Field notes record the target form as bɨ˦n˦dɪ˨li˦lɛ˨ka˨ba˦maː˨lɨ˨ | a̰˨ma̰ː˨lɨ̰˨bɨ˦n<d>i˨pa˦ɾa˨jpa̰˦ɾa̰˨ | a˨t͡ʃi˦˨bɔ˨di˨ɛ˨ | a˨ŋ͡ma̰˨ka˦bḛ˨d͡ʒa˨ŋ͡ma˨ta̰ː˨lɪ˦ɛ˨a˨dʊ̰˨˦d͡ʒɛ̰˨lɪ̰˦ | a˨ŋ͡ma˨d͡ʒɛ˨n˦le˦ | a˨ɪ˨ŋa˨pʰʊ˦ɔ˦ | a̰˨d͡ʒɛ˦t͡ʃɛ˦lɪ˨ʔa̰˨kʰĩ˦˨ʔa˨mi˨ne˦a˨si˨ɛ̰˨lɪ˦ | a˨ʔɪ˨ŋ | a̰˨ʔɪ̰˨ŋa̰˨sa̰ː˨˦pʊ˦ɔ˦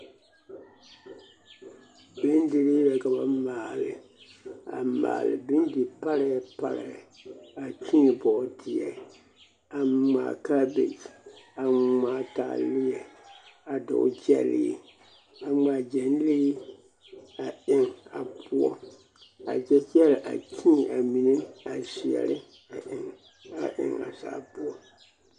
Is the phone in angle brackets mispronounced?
no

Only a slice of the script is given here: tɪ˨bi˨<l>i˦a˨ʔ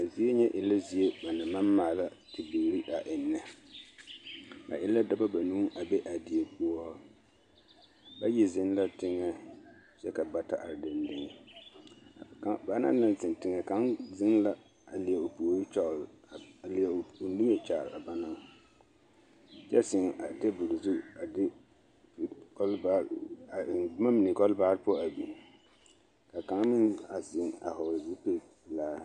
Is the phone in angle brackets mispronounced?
yes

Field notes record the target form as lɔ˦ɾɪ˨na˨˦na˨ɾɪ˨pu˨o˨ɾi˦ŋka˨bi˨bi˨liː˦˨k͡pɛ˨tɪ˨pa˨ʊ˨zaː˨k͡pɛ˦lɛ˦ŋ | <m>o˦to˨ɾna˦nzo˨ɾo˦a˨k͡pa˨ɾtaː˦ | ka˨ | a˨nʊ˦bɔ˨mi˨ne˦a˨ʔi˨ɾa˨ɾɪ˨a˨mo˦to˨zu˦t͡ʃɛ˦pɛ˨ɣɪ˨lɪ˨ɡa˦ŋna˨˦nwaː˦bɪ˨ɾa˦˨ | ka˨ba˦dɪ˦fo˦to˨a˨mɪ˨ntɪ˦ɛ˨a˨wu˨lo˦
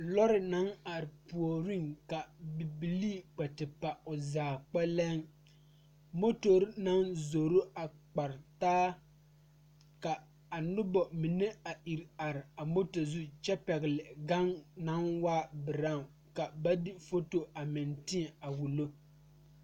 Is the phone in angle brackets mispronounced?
no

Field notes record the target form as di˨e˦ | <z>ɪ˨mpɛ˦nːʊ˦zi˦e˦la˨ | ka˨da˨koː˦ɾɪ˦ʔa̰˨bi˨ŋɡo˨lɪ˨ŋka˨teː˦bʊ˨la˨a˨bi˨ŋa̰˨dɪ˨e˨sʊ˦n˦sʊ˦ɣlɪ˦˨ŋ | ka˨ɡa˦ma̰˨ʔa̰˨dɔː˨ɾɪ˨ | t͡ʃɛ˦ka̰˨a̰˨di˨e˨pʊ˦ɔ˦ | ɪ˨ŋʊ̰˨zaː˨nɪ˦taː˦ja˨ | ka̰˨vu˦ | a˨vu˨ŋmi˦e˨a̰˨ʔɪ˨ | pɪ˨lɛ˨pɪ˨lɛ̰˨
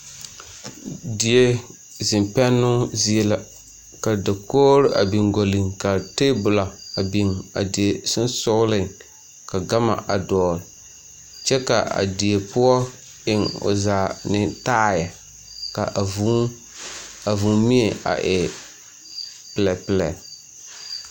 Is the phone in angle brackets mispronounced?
no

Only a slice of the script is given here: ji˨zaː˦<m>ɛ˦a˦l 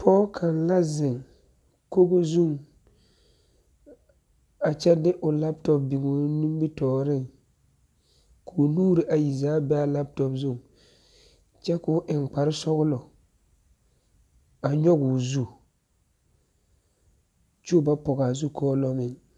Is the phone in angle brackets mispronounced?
yes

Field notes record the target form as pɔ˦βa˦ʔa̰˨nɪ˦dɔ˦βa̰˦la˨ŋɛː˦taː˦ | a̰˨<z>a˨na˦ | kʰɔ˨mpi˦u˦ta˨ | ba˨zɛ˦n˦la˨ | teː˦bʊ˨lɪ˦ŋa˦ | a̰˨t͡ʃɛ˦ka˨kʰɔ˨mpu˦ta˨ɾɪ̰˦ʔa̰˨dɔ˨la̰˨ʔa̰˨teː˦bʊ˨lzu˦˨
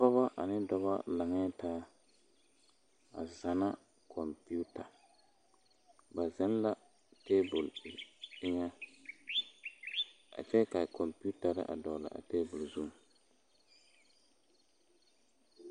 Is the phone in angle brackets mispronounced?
no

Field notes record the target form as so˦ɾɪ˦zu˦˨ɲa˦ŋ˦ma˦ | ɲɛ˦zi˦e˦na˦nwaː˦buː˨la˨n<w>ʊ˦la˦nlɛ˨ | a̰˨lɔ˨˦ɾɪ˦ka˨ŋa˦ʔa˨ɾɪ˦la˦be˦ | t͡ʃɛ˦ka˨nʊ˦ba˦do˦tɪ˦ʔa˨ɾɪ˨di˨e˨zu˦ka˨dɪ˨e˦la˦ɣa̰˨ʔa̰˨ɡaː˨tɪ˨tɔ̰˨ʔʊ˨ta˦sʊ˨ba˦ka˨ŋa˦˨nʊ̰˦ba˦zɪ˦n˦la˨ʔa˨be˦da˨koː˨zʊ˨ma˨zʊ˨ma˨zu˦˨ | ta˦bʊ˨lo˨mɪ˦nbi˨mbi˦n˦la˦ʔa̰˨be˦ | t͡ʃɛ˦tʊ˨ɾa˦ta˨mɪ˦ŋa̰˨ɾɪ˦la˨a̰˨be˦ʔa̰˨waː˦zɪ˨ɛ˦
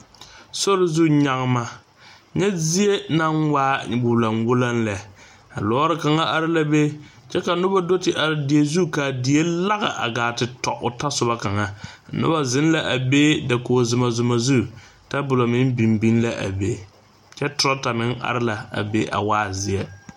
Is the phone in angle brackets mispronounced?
no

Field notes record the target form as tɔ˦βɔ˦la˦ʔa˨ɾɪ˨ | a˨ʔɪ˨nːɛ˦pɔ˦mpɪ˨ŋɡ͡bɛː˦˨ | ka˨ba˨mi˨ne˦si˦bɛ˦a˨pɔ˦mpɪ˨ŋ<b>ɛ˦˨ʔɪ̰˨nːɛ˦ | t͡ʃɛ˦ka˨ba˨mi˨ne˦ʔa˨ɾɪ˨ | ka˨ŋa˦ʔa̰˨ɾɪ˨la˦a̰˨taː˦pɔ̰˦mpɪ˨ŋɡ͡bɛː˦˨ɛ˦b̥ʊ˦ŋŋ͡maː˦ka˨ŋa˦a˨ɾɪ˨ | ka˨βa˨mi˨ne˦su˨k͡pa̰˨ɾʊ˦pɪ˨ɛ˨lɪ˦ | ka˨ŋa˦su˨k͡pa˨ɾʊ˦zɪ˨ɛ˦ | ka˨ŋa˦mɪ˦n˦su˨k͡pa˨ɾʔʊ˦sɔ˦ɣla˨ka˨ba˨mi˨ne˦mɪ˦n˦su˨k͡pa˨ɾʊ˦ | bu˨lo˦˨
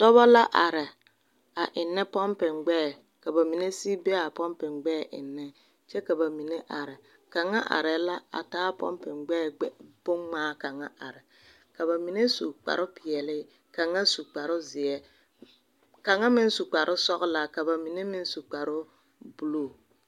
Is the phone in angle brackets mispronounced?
yes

